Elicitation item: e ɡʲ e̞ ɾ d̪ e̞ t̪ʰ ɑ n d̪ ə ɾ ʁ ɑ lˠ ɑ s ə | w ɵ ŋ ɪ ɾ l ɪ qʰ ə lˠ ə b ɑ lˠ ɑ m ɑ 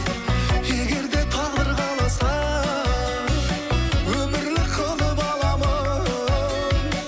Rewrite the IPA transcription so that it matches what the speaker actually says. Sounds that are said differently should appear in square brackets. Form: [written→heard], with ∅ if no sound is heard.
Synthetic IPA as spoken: e ɡʲ e̞ ɾ d̪ e̞ t̪ʰ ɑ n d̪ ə ɾ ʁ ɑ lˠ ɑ s [ə→ɑ] | w ɵ [ŋ→m] ɪ ɾ l ɪ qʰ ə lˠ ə b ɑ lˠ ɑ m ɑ